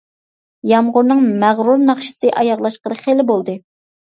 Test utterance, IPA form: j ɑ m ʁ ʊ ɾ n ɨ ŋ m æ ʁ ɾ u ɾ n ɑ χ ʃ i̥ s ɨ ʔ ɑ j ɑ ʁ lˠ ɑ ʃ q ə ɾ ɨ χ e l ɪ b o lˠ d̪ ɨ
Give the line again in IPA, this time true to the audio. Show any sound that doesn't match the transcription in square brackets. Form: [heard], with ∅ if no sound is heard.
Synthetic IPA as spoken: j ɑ m ʁ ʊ ɾ n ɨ ŋ m æ ʁ ɾ u ɾ n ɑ χ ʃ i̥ s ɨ ʔ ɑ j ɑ ʁ lˠ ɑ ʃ q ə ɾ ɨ χ e l ɪ b o lˠ d̪ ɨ